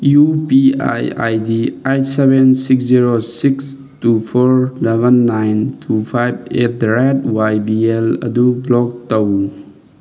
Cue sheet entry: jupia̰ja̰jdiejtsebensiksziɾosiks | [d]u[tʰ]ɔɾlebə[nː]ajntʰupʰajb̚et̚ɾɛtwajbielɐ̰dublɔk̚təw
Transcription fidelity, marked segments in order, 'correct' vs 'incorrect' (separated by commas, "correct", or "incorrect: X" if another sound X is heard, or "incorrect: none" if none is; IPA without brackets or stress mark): incorrect: t, incorrect: pʰ, correct